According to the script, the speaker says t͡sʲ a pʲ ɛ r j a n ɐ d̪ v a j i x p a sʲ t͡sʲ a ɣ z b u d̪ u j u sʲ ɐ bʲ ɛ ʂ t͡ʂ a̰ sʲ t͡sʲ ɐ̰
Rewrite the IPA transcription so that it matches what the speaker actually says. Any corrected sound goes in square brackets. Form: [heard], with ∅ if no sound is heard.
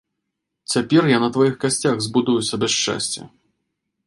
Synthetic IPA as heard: t͡sʲ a pʲ ɛ r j a n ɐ [t̪] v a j i x [k] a sʲ t͡sʲ a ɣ z b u d̪ u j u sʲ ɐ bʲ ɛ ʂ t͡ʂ a̰ sʲ t͡sʲ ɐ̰